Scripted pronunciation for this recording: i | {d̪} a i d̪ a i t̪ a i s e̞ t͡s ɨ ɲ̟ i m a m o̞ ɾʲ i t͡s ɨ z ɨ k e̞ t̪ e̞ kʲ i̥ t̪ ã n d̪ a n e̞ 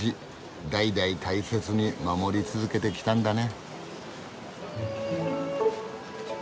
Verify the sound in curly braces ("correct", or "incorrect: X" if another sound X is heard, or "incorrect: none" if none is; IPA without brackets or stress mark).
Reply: correct